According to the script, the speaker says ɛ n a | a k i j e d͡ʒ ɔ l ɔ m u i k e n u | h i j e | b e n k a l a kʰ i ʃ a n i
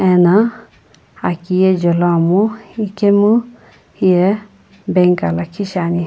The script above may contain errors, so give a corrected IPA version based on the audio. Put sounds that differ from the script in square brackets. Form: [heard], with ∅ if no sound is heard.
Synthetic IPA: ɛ n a | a k i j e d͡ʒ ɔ l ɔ m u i k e [m] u | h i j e | b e [ŋ] k a l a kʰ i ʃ a n i